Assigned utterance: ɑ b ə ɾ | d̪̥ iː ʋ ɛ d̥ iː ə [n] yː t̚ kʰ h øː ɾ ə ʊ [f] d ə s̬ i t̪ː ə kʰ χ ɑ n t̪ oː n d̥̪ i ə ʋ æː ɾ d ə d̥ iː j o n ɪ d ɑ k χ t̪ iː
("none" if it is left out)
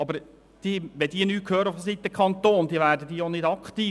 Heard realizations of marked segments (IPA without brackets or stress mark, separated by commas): n, f